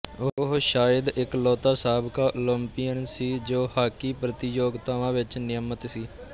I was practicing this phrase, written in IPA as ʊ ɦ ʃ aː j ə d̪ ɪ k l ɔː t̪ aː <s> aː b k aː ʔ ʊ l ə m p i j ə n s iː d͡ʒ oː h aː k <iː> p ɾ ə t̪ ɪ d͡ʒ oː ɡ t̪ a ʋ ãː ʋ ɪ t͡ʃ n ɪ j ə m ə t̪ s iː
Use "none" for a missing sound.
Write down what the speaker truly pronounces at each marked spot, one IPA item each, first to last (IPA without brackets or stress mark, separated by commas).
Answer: s, iː